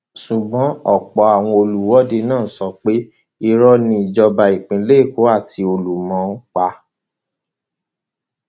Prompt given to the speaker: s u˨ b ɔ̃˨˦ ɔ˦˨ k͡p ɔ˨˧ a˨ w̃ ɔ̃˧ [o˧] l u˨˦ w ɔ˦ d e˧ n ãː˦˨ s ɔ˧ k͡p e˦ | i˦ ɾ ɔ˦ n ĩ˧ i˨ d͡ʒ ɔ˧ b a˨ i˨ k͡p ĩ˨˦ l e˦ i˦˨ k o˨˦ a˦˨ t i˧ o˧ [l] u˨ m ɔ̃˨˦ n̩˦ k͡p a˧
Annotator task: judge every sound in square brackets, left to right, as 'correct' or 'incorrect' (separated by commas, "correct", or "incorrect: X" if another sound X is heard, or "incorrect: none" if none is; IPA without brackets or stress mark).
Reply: correct, correct